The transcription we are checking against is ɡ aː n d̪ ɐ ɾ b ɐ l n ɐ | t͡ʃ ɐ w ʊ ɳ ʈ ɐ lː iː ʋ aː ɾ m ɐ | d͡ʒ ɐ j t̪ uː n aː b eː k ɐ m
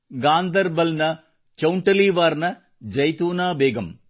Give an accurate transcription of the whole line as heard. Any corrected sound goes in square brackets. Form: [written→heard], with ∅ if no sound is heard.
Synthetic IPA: ɡ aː n d̪ ɐ ɾ b ɐ l n ɐ | t͡ʃ ɐ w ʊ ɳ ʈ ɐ [lː→l] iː ʋ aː ɾ [m→n] ɐ | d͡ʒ ɐ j t̪ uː n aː b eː [k→ɡ] ɐ m